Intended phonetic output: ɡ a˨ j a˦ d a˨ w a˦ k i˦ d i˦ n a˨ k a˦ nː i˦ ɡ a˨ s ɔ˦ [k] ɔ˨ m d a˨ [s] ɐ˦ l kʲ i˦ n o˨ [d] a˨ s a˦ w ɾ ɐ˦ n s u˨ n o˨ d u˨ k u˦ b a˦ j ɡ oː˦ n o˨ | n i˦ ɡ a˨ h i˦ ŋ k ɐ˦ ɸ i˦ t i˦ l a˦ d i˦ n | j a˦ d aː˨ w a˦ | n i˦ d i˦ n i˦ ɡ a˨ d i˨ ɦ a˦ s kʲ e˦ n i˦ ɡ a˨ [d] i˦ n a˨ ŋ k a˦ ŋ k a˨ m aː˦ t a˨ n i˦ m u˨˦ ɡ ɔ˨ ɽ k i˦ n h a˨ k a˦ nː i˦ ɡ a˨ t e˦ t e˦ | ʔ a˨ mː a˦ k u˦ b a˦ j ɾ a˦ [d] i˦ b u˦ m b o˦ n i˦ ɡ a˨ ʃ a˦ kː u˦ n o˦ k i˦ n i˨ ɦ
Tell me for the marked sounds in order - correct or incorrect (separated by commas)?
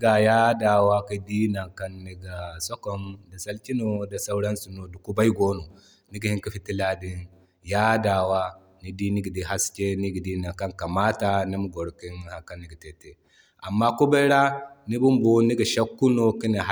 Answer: correct, correct, correct, correct, incorrect